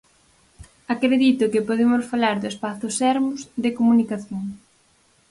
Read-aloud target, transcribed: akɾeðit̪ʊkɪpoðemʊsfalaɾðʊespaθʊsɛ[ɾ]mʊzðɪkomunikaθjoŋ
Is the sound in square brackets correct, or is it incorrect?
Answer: correct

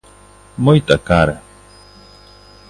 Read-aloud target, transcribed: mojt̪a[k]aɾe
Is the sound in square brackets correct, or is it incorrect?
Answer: correct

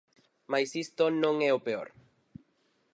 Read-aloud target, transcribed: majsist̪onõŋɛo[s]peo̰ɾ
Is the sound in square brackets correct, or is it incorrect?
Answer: incorrect: none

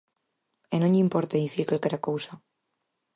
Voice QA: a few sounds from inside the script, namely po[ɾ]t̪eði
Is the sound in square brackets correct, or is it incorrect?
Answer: correct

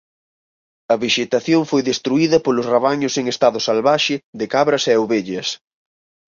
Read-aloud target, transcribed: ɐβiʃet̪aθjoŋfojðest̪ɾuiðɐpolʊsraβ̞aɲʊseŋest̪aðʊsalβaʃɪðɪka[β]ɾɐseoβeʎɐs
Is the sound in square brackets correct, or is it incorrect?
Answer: correct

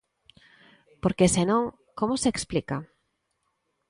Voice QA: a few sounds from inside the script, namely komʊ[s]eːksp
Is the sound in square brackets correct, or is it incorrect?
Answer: correct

